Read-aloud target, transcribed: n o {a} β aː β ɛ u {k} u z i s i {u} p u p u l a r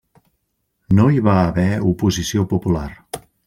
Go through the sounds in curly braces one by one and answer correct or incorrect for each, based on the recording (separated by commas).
incorrect, incorrect, incorrect